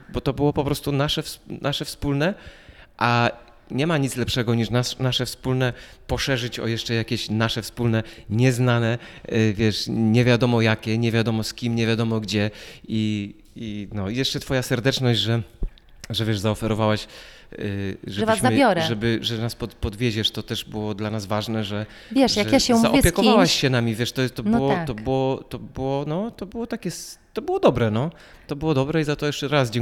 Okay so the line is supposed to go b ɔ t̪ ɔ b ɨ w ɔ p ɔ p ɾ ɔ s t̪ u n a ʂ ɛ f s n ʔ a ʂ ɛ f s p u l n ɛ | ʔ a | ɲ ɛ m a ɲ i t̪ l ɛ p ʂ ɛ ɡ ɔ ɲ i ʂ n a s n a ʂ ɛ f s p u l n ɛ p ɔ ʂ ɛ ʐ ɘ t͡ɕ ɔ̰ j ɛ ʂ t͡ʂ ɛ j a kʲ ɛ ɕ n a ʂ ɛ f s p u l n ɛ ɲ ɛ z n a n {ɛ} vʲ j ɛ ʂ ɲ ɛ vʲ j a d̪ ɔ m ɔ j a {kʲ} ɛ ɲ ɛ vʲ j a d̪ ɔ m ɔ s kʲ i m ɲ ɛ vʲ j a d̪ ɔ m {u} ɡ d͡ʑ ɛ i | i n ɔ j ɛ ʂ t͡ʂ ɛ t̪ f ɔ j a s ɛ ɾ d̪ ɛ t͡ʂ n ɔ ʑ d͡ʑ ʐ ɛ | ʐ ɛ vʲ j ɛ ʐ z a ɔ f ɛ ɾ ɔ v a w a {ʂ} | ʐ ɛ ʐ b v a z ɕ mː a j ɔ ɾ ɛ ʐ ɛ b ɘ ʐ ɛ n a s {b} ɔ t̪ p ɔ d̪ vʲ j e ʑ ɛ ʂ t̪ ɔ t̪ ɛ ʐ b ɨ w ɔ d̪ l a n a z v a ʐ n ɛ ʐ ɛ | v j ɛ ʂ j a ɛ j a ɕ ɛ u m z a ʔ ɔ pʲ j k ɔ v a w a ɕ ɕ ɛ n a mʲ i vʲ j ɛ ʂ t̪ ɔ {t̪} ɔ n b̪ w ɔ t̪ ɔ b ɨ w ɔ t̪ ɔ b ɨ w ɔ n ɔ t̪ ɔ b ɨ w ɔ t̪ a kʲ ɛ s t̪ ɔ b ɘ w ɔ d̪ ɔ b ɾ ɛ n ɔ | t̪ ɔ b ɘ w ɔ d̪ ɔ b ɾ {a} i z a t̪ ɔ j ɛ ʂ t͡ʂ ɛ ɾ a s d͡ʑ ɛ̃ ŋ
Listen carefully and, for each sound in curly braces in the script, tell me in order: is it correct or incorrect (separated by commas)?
correct, correct, incorrect, incorrect, incorrect, correct, incorrect